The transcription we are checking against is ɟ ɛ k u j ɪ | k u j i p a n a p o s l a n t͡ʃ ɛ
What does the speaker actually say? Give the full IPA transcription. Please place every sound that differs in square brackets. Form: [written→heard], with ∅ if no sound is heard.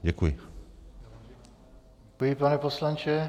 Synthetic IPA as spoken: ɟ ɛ k u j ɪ | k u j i p a n [a→ɛ] p o s l a n t͡ʃ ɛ